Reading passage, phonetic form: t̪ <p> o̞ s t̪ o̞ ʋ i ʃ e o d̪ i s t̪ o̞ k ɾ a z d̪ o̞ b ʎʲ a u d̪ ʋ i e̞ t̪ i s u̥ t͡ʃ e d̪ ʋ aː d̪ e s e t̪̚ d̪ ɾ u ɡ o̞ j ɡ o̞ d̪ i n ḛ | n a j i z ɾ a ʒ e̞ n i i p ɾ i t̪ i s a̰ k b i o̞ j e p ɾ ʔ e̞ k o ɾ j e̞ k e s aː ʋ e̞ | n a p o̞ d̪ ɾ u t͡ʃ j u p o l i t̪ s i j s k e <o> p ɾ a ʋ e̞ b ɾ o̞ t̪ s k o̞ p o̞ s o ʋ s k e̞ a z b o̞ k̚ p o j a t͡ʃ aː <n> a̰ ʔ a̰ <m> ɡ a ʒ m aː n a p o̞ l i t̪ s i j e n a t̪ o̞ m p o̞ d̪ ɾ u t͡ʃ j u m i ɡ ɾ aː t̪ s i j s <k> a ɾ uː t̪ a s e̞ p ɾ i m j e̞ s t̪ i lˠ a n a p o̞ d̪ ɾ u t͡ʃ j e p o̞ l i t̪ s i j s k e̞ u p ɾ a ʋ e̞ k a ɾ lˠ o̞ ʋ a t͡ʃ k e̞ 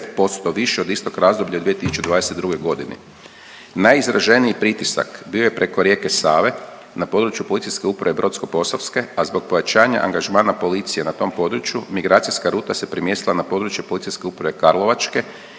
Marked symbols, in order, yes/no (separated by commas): yes, no, no, no, yes